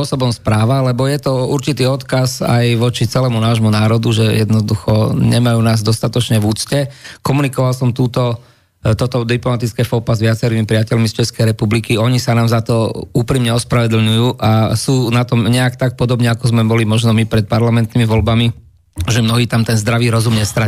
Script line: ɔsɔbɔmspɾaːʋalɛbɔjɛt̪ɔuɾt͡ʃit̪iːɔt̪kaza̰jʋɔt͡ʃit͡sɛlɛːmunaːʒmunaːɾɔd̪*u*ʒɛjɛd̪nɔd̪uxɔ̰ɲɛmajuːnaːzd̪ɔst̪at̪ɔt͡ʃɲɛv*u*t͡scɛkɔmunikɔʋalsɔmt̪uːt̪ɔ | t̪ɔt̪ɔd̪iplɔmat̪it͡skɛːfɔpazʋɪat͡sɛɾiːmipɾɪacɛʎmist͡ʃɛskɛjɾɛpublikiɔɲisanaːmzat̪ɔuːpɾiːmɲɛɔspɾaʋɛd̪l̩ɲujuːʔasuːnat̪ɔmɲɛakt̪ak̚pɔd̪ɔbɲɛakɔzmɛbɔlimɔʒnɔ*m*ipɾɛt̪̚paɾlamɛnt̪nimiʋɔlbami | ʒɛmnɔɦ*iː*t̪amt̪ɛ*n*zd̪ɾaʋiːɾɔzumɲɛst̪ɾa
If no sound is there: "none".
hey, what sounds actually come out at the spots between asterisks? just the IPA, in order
u, uː, m, iː, n

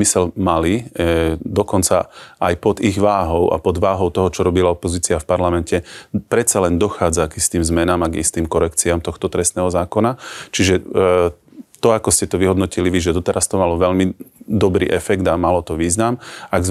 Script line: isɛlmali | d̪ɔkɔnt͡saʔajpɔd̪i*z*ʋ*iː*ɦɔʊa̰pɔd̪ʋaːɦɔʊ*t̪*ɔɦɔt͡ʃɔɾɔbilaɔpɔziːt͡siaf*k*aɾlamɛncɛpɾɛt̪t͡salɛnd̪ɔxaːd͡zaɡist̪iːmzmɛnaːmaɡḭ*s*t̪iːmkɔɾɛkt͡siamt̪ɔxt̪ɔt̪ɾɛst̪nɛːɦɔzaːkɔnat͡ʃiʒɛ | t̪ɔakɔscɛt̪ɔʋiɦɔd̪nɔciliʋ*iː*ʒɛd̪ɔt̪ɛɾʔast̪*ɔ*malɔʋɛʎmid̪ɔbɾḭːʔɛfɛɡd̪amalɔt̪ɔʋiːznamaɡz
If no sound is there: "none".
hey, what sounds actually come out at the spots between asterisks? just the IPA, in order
ɣ, aː, t̪, p, s, i, ɔ

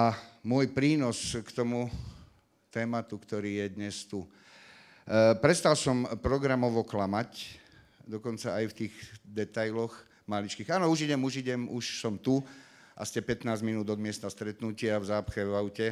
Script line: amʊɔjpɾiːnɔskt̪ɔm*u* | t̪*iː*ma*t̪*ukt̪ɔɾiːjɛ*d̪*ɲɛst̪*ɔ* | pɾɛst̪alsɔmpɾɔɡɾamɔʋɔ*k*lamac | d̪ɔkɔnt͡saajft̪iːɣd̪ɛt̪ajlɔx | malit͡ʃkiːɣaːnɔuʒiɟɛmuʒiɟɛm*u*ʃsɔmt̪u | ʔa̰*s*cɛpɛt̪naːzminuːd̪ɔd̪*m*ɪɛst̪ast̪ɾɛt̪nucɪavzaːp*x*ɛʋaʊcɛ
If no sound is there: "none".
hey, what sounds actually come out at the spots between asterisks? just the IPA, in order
u, ɛː, t̪, d̪, u, k, u, s, m, x

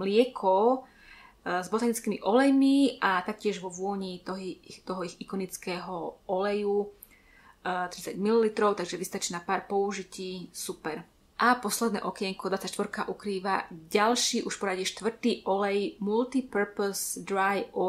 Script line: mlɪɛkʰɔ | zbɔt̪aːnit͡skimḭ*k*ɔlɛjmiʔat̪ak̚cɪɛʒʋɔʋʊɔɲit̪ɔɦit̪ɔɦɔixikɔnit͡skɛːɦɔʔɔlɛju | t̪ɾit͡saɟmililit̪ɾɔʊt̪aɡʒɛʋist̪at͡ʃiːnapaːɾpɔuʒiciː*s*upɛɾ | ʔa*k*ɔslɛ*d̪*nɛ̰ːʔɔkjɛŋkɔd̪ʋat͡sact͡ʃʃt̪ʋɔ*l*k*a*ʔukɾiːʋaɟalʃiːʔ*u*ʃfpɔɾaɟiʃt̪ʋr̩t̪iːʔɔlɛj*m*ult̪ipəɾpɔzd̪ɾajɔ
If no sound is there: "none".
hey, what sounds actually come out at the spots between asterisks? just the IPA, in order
ʔ, s, p, d̪, ɾ, a, u, m

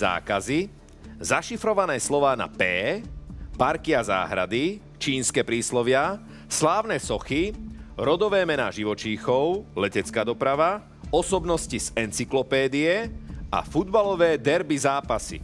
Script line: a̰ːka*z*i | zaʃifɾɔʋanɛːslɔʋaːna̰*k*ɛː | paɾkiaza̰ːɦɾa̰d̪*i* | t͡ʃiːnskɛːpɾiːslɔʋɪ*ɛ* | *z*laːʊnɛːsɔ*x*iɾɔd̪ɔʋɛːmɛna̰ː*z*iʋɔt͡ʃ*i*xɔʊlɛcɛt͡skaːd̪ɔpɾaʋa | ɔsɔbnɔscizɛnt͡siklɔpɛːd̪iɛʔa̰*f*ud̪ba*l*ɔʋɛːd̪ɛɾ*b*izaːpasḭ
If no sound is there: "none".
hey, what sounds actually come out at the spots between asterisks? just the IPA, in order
z, p, i, a, s, x, ʒ, iː, f, l, b

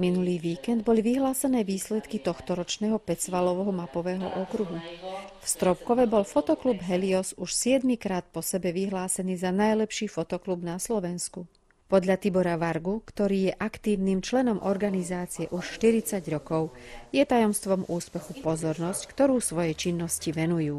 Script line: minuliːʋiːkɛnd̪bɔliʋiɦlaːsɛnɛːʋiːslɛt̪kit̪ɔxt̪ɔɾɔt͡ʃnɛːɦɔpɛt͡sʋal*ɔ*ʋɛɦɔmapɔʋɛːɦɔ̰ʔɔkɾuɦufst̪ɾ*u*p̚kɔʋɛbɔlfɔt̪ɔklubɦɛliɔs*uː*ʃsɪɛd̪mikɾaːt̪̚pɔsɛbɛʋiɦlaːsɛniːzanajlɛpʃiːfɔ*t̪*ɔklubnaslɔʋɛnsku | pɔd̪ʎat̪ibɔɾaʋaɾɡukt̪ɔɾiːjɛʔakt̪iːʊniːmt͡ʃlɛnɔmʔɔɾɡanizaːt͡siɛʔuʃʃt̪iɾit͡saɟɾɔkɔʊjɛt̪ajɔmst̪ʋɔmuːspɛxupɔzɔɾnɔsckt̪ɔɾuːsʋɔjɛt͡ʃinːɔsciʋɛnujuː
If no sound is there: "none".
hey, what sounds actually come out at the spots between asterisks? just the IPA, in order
ɔ, ɔ, u, t̪

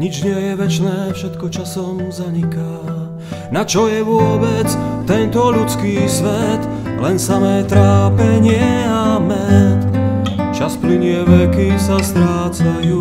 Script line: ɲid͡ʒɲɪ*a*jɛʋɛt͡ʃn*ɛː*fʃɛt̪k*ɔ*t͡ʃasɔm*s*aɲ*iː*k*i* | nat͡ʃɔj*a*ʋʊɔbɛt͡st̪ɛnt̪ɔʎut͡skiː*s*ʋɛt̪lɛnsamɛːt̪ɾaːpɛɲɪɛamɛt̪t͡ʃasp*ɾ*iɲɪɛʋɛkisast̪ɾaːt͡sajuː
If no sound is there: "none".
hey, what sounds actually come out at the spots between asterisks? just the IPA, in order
ɛ, ɛː, ɔ, z, i, a, ɛ, s, l

